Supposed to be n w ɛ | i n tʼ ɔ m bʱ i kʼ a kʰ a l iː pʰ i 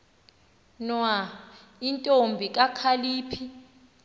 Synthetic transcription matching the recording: n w a | i n tʼ o m bʱ i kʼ a kʰ a l iː pʰ i